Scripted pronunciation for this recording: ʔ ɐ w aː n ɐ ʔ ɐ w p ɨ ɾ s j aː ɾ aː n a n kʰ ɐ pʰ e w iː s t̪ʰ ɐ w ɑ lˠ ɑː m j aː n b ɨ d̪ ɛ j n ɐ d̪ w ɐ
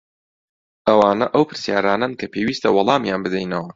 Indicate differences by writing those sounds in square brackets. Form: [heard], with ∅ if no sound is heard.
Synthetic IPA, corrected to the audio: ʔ ɐ w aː n ɐ ʔ ɐ w p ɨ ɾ s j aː ɾ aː n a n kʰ ɐ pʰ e w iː s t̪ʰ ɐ w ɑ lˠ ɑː m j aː n b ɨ d̪ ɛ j n ɐ [∅] w ɐ

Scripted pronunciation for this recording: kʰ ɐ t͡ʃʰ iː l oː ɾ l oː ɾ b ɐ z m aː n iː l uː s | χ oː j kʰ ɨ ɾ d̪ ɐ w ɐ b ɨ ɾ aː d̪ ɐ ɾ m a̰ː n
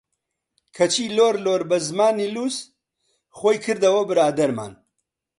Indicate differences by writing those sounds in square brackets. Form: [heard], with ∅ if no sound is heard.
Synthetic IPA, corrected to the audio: kʰ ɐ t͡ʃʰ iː l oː ɾ l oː ɾ b ɐ z m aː n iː l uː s | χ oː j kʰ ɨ ɾ d̪ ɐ w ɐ b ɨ ɾ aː d̪ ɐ ɾ m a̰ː n

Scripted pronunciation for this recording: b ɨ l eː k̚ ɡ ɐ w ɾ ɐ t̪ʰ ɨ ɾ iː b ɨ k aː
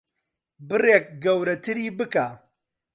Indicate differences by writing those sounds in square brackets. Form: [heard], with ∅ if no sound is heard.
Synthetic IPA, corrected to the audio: b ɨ [r] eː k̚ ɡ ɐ w ɾ ɐ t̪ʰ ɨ ɾ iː b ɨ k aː

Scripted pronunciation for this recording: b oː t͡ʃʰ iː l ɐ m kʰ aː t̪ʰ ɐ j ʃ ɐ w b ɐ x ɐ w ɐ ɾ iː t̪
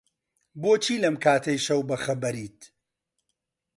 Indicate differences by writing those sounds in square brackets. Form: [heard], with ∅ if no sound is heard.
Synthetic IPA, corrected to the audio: b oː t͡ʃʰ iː l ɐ m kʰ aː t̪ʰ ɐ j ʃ ɐ w b ɐ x ɐ [b] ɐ ɾ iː t̪

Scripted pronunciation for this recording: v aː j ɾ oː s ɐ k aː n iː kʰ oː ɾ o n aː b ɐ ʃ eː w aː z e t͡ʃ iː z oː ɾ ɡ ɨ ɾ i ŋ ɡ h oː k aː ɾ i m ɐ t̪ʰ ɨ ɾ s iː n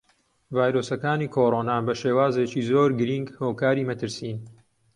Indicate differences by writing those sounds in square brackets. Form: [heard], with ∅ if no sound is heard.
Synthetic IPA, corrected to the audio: v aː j ɾ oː s ɐ k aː n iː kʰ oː ɾ o n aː b ɐ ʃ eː w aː z e t͡ʃ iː z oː ɾ ɡ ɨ ɾ i ŋ ɡ h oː k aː ɾ i m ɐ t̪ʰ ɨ ɾ s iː n

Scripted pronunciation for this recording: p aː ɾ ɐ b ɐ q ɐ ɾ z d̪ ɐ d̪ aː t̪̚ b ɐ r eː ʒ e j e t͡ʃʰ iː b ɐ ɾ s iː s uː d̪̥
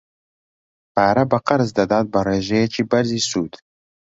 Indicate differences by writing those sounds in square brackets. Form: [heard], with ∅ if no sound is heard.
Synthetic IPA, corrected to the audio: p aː ɾ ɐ b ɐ q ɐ ɾ z d̪ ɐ d̪ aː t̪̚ b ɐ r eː ʒ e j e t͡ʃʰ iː b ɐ ɾ [z] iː s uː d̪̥

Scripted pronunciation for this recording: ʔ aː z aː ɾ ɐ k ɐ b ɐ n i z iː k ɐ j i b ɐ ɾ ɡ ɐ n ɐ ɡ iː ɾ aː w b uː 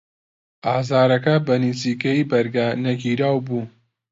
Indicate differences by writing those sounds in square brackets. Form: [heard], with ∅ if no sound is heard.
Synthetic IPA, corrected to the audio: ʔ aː z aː ɾ ɐ k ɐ b ɐ n i z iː k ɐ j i b ɐ ɾ ɡ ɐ n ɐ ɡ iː ɾ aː w b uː

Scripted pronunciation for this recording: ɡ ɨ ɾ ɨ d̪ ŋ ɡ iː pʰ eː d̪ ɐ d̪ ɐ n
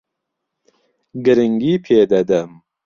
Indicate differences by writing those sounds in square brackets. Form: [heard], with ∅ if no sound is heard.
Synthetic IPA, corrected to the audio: ɡ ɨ ɾ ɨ [∅] ŋ ɡ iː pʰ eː d̪ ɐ d̪ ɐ [m]

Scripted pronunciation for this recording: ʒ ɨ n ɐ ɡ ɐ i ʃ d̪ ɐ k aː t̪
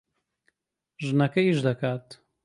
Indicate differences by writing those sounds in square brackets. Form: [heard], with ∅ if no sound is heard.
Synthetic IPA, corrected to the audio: ʒ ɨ n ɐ [k] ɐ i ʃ d̪ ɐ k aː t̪

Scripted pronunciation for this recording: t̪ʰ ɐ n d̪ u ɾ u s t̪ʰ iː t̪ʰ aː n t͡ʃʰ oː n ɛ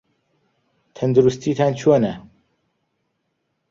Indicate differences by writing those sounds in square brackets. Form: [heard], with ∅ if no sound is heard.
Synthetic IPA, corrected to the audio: t̪ʰ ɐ n d̪ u ɾ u s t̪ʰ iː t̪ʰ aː n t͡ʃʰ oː n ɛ

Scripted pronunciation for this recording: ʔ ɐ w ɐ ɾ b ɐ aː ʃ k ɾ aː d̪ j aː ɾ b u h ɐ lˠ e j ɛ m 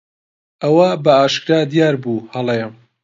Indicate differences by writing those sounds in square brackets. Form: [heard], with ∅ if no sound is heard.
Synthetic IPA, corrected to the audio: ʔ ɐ w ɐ [∅] b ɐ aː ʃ k ɾ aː d̪ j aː ɾ b u h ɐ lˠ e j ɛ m

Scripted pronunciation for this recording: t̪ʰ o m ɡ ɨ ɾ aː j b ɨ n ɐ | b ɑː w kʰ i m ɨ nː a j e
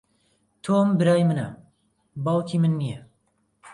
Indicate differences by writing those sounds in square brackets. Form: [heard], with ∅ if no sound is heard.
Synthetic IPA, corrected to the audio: t̪ʰ o m [b] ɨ ɾ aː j [m] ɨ n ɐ | b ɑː w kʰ i m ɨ nː [i] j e

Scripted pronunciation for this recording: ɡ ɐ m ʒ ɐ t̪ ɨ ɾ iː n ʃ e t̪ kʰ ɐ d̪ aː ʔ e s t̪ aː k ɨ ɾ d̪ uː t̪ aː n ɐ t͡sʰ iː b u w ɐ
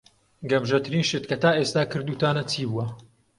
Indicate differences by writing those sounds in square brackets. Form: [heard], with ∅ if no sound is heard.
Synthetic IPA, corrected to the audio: ɡ ɐ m ʒ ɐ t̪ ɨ ɾ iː n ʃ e t̪ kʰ ɐ [t̪] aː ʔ e s t̪ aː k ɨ ɾ d̪ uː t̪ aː n ɐ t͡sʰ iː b u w ɐ

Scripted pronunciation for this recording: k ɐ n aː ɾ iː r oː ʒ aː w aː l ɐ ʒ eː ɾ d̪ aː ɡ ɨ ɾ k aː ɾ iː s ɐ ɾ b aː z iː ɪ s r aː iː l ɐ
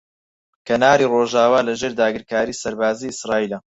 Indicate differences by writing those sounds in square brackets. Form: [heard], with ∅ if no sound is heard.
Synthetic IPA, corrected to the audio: k ɐ n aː ɾ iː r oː ʒ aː w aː l ɐ ʒ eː ɾ d̪ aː ɡ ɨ ɾ k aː ɾ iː s ɐ ɾ b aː z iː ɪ s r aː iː l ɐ

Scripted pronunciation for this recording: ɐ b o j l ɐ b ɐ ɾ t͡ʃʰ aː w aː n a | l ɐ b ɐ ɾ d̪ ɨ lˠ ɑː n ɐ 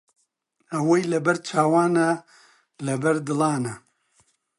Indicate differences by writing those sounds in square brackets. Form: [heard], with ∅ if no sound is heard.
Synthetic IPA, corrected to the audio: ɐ [w] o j l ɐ b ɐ ɾ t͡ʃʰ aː w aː n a | l ɐ b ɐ ɾ d̪ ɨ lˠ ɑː n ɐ

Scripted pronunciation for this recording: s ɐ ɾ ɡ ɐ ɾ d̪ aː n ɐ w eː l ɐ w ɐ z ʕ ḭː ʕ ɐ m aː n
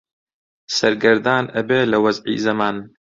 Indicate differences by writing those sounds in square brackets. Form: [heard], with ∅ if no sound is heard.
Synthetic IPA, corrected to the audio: s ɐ ɾ ɡ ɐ ɾ d̪ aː n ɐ [b] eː l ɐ w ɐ z ʕ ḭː [z] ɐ m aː n

